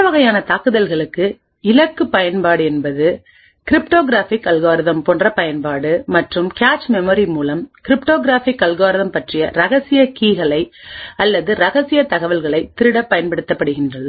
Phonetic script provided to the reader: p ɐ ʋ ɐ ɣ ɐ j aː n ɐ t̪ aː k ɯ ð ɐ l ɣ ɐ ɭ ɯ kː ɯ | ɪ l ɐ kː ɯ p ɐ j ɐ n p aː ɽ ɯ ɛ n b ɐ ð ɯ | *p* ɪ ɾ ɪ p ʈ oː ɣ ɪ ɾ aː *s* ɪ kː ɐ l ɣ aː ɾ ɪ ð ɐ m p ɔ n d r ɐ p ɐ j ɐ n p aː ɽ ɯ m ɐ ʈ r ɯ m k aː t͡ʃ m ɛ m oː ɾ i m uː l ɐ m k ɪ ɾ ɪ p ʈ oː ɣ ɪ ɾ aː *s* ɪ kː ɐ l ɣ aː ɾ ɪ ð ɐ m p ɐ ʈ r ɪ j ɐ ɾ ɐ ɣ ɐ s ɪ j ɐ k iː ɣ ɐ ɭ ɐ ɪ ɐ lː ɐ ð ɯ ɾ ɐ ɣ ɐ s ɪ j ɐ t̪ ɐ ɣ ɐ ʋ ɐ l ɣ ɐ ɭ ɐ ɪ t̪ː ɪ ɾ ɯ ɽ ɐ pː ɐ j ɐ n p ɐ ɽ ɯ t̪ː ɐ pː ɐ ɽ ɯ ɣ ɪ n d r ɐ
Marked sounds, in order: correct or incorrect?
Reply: incorrect, incorrect, incorrect

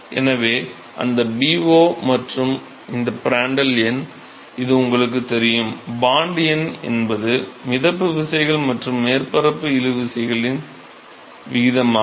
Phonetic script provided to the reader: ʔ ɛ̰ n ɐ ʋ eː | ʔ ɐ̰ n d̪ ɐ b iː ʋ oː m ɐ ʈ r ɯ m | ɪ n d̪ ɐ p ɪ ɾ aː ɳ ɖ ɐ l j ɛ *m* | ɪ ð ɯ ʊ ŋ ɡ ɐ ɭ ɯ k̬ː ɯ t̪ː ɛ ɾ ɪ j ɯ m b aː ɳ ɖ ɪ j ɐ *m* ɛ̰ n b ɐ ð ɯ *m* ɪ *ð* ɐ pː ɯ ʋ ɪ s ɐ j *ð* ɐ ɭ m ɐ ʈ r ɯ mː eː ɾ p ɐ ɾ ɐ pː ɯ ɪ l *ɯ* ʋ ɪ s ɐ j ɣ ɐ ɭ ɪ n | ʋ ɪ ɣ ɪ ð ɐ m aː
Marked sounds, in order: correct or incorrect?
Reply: incorrect, incorrect, correct, correct, incorrect, correct

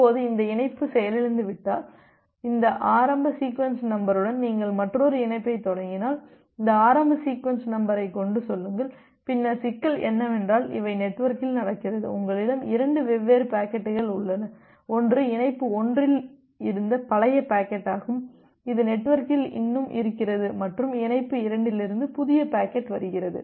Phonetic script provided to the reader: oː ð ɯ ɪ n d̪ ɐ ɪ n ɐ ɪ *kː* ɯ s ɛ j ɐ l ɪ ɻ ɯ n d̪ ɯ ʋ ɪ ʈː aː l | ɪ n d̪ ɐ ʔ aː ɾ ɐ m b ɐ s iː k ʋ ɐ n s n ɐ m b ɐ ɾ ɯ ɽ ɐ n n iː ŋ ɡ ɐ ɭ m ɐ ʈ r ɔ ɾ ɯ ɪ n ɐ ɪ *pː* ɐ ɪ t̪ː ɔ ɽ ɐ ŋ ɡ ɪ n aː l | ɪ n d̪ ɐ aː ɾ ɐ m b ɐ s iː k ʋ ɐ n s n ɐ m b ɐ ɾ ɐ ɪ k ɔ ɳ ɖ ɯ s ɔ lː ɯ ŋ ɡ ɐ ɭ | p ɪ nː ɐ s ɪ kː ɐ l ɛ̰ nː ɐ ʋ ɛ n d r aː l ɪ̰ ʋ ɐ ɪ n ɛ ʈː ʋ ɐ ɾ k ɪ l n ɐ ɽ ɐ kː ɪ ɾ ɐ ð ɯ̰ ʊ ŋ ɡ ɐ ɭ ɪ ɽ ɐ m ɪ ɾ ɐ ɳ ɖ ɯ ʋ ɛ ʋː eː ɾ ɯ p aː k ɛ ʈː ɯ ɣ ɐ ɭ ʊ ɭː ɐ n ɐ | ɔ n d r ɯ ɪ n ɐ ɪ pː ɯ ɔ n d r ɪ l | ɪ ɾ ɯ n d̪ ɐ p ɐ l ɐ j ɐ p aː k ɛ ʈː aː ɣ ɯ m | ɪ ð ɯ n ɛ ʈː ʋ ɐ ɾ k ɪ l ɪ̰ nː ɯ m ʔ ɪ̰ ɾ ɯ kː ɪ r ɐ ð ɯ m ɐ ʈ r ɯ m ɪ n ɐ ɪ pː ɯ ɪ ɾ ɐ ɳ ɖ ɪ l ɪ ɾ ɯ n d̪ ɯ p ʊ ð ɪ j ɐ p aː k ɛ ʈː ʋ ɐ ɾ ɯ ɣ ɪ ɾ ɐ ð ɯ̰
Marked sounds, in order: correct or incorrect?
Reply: incorrect, correct

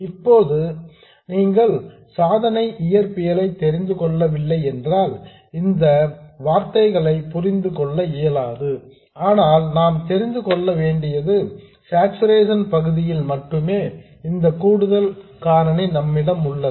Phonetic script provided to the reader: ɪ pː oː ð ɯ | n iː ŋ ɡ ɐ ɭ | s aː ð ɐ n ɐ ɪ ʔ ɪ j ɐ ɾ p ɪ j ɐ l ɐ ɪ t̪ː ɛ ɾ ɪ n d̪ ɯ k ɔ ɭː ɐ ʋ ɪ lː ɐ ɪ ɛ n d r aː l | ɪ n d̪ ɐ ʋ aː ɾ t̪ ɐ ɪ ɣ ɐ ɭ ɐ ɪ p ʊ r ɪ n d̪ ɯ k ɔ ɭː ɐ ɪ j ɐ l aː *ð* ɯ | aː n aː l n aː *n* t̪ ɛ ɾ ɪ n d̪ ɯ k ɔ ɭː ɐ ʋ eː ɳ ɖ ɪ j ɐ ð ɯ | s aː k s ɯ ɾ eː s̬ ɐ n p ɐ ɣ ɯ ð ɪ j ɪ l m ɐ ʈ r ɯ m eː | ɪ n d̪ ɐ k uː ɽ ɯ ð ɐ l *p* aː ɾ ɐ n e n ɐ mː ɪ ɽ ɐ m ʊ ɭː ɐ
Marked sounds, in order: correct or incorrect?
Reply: correct, incorrect, incorrect

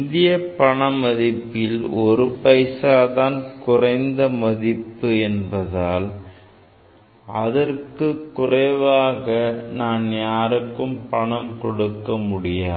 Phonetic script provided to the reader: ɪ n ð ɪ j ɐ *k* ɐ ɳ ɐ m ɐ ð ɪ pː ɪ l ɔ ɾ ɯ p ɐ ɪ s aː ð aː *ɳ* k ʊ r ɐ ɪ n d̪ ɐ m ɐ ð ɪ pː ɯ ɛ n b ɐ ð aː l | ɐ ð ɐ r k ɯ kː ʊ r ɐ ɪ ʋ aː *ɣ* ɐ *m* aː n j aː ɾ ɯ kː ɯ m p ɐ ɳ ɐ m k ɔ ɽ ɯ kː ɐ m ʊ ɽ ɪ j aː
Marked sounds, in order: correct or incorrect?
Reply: incorrect, incorrect, correct, incorrect

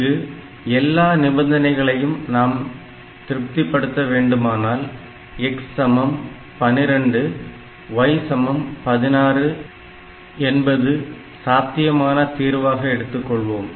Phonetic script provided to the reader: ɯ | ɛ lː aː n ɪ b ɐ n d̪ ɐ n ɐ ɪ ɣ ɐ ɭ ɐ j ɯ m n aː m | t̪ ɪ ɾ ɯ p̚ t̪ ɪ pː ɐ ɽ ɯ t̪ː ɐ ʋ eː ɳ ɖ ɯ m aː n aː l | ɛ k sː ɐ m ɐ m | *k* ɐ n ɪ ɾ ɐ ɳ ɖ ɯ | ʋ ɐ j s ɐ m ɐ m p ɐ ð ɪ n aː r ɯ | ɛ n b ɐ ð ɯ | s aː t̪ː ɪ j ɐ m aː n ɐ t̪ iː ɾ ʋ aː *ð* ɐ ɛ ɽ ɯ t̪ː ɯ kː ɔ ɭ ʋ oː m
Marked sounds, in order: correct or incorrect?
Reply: incorrect, incorrect

